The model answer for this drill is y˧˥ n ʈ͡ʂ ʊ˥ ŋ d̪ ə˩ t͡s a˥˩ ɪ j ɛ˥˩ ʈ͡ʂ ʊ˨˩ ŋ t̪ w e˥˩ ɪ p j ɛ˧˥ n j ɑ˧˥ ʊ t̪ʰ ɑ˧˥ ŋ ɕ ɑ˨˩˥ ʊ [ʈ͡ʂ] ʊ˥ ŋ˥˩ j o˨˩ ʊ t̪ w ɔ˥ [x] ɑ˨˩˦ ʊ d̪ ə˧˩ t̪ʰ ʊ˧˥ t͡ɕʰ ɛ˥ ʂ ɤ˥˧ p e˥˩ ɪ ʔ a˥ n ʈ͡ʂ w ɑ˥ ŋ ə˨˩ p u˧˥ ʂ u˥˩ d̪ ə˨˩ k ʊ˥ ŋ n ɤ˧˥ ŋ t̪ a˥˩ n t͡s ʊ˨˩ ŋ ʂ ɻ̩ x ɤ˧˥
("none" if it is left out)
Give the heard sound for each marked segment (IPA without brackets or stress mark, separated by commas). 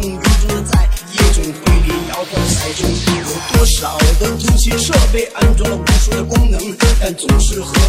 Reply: ʈ͡ʂ, ʂ